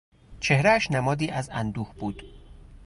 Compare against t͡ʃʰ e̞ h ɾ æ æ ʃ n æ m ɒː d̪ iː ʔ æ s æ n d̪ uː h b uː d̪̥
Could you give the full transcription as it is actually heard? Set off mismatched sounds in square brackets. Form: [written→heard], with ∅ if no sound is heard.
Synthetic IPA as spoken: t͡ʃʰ e̞ h ɾ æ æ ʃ n æ m ɒː d̪ iː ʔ æ [s→z] æ n d̪ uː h b uː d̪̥